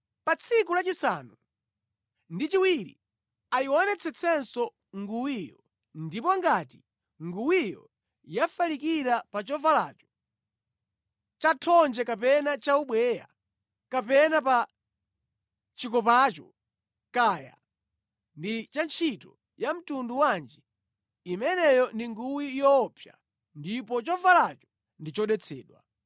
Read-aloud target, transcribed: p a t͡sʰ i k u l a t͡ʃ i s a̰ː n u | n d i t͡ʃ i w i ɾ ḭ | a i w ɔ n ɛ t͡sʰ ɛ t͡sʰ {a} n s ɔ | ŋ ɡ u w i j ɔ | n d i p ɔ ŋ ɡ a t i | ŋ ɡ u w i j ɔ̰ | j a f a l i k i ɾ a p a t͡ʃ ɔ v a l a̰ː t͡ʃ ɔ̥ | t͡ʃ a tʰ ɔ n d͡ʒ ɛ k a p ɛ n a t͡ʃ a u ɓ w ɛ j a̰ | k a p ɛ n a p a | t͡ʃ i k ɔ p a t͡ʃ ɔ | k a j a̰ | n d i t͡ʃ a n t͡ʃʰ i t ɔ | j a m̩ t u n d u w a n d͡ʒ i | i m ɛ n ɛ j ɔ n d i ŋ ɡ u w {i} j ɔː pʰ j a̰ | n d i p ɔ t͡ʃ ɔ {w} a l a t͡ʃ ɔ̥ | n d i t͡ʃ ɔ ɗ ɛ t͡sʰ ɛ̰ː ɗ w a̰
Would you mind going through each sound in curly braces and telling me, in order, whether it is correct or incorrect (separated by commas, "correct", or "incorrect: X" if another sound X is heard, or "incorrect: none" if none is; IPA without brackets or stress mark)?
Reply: incorrect: ɛ, correct, incorrect: v